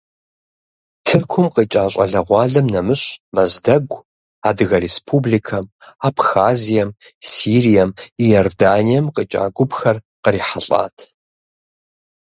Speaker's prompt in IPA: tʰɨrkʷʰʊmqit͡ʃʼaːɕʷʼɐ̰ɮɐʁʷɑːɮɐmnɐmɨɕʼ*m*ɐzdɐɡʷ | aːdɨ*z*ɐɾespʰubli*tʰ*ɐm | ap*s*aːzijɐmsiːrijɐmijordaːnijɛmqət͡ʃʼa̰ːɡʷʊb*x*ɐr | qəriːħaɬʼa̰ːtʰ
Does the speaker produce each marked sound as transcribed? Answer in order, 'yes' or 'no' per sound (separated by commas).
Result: yes, no, no, no, yes